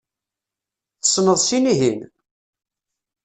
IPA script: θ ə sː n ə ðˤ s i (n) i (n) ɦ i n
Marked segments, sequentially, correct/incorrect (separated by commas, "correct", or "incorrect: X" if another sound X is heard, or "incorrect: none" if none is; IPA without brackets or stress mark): correct, incorrect: none